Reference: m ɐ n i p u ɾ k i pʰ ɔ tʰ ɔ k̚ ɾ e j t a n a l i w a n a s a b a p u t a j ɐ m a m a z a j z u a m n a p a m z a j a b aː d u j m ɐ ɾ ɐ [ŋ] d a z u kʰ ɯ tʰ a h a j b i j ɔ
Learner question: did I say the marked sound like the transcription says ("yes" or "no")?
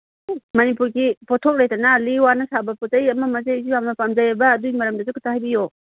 no